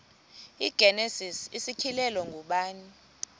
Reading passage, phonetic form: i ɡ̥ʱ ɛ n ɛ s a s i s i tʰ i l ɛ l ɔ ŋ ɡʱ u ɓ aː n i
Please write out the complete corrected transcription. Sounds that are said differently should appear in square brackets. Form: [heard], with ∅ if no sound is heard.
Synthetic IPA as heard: i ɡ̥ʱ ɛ n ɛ s [i] s i s i [kʰ] i l ɛ l ɔ ŋ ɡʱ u ɓ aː n i